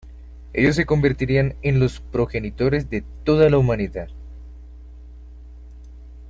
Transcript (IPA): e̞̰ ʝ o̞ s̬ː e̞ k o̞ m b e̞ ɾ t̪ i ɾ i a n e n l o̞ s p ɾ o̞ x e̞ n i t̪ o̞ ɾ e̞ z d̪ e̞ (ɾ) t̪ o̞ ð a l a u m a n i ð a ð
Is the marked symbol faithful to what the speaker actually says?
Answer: no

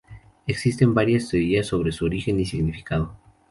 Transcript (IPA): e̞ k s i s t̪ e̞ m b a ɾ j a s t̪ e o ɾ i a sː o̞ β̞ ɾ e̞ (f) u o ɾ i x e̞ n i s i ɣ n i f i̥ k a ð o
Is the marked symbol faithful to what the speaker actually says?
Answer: no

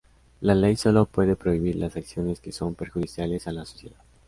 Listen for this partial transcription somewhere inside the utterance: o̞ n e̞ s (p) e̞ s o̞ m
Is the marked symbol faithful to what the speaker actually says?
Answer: no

